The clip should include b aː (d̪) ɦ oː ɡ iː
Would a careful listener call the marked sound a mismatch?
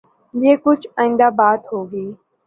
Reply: yes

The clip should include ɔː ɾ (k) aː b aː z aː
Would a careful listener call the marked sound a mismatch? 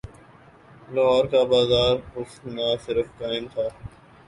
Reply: no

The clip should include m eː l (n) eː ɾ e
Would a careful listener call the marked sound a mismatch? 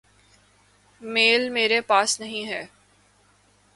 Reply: yes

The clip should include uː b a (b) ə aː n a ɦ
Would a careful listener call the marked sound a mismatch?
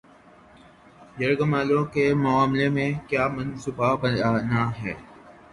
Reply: no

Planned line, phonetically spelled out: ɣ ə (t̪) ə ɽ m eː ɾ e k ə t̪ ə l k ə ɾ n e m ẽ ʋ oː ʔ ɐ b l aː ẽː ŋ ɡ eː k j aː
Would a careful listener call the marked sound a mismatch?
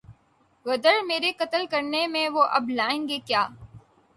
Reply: yes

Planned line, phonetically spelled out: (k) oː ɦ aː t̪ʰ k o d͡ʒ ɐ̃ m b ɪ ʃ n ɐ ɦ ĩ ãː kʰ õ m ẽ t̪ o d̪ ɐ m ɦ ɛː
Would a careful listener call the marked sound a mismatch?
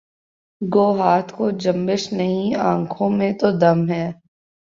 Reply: yes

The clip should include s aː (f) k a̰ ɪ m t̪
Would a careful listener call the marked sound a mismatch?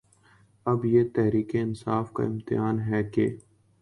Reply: no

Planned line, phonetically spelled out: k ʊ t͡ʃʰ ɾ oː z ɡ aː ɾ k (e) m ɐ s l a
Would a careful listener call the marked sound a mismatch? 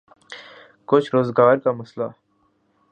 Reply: yes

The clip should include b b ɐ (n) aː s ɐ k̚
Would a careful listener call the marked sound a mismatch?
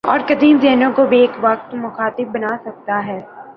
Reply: no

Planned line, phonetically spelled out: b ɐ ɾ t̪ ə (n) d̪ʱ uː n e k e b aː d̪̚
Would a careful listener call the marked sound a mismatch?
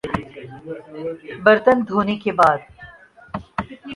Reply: no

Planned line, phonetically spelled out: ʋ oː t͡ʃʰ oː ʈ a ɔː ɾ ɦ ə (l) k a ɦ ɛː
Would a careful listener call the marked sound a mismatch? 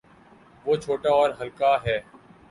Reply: no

